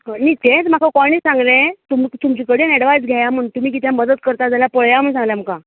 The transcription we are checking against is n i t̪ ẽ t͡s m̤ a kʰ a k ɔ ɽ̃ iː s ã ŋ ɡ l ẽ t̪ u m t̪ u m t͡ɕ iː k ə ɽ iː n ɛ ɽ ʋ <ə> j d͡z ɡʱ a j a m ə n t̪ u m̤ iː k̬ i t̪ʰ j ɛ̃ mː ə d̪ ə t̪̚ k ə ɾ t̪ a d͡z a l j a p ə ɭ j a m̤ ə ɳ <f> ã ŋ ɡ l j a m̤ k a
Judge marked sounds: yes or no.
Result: no, no

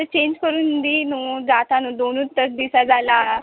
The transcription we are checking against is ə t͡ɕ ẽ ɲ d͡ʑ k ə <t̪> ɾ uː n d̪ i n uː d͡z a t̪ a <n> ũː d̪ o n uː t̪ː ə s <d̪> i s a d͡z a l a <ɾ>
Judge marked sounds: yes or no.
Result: no, yes, yes, no

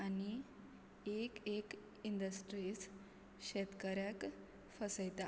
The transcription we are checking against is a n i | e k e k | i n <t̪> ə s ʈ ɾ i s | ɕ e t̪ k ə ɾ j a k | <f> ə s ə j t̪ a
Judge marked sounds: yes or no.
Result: no, yes

